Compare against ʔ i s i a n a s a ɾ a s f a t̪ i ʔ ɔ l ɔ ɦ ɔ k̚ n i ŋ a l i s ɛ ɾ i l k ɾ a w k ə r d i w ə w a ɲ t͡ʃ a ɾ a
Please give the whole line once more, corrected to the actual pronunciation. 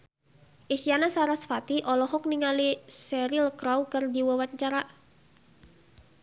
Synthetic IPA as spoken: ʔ i s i a n a s a ɾ a s f a t̪ i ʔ ɔ l ɔ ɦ ɔ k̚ n i ŋ a l i s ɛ ɾ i l k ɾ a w k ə r d i w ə w a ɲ t͡ʃ a ɾ a